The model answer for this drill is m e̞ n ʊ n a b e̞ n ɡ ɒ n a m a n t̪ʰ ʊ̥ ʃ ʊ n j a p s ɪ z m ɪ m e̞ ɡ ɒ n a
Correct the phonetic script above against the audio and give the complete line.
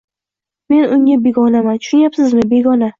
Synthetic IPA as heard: m e̞ n ʊ ŋ a b e̞ ɡ ɒ n a m a n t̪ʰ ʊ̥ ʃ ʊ n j a p s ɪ z m ɪ b e̞ ɡ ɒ n a

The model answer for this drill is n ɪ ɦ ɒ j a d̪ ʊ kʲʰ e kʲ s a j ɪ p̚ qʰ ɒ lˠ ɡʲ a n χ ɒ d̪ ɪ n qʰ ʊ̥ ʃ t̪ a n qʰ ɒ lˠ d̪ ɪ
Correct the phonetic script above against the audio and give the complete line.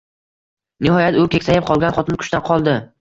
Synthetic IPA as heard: n ɪ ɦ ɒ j a t̪ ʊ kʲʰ e kʲ s a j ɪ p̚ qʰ ɒ lˠ ɡʲ a n χ ɒ t̪ ɪ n kʰ ʊ̥ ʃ t̪ a n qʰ ɒ lˠ d̪ ɪ

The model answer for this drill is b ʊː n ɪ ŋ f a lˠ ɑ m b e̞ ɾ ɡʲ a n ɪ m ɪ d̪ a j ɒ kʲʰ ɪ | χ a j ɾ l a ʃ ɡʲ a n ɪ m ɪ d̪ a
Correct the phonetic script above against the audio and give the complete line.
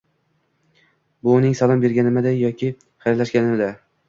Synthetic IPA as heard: b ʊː n ɪ ŋ s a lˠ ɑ m b e̞ ɾ ɡʲ a n ɪ m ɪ d̪ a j ɒ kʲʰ ɪ | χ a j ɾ l a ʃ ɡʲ a n ɪ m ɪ d̪ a

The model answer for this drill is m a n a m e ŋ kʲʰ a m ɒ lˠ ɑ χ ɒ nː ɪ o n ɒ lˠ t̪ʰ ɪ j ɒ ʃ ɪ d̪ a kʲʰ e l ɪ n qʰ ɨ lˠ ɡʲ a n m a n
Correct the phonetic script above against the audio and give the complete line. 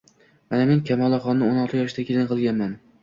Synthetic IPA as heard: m a n a m e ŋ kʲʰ a m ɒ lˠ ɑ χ ɒ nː ɪ o n ɒ lˠ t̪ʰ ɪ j ɒ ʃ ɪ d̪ a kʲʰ e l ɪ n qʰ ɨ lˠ ɡʲ a n m a n

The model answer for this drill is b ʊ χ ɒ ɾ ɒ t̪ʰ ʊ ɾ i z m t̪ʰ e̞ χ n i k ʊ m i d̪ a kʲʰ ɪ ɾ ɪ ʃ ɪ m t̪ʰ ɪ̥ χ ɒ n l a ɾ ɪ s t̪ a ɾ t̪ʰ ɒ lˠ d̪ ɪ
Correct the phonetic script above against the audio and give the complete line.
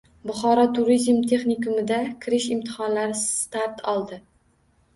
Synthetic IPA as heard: b ʊ χ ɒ ɾ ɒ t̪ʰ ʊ ɾ i z m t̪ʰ e̞ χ n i k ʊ m ɪ d̪ a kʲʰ ɪ ɾ ɪ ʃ ɪ m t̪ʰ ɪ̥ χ ɒ n l a ɾ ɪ s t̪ a ɾ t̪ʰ ɒ lˠ d̪ ɪ

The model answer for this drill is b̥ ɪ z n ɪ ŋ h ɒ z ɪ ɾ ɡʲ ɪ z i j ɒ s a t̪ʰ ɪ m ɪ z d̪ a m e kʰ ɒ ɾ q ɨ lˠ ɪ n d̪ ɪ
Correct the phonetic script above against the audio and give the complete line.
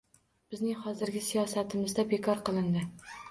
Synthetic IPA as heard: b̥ ɪ z n ɪ ŋ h ɒ z ɪ ɾ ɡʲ ɪ s i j ɒ s a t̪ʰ ɪ m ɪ z d̪ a b e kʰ ɒ ɾ q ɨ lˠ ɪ n d̪ ɪ

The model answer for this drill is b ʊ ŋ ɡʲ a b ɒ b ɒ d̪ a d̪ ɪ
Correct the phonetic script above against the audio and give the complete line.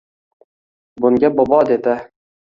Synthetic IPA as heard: b ʊ ŋ ɡʲ a b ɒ b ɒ d̪ e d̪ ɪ

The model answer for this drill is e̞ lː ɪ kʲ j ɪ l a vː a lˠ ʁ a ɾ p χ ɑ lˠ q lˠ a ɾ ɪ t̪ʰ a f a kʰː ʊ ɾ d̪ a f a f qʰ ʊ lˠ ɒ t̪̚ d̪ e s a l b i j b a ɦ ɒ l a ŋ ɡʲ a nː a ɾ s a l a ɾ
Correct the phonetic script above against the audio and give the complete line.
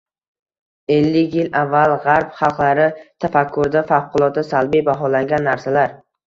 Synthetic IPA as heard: e̞ lː ɪ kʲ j ɪ l a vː a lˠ ʁ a ɾ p χ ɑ lˠ q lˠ a ɾ ɪ t̪ʰ a f a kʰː ʊ ɾ d̪ a f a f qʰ ʊ lˠ ɒ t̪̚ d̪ a s a l b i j b a ɦ ɒ l a ŋ ɡʲ a nː a ɾ s a l a ɾ

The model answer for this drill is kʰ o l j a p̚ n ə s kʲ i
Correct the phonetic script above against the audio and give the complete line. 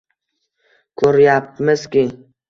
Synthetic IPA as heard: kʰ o ɾ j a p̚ m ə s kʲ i

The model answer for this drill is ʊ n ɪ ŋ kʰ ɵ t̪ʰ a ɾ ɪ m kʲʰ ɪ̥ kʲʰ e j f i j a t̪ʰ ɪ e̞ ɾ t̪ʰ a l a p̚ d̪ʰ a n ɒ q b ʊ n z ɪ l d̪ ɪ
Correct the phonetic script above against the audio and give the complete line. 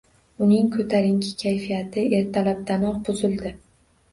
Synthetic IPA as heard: ʊ n ɪ ŋ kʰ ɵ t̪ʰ a ɾ ɪ ŋ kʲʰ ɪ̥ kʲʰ a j f i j a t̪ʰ ɪ e̞ ɾ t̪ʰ a l a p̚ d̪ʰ a n ɒ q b ʊ z ɪ l d̪ ɪ

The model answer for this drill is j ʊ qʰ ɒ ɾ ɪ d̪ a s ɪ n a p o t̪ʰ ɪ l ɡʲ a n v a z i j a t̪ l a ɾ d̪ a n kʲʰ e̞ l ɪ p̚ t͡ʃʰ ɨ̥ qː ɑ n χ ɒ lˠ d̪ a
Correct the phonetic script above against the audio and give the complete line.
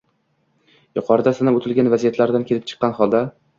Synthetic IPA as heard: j ʊ qʰ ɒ ɾ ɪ d̪ a s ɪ n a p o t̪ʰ ɪ l ɡʲ a n v a z i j a t̪ l a ɾ d̪ a n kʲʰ e̞ l ɪ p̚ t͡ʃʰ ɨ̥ qː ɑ n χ ɒ lˠ d̪ a

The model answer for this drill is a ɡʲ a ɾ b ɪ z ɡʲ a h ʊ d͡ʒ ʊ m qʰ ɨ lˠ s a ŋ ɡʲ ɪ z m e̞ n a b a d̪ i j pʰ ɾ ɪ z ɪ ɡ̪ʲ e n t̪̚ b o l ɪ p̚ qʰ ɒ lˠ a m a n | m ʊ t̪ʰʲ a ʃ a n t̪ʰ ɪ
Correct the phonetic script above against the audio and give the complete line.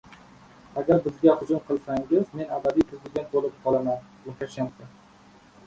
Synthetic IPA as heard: a ɡʲ a ɾ b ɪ z ɡʲ a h ʊ d͡ʒ ʊ m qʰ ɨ lˠ s a ŋ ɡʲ ɪ z m e̞ n a b a d̪ i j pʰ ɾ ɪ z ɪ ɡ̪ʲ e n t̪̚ b o l ɪ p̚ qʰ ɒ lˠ a m a n | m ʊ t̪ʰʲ a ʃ a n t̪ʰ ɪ

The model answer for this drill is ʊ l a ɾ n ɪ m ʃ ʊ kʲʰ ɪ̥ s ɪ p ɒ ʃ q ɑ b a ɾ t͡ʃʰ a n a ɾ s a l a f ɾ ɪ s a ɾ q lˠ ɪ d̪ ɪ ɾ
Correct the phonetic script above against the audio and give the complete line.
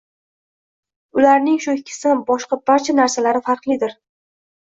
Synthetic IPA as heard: ʊ l a ɾ n ɪ ŋ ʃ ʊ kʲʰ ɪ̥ s ɪ b ɒ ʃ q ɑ b a ɾ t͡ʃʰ a n a ɾ s a l a ɾ ɪ f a ɾ q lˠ ɪ d̪ ɪ ɾ

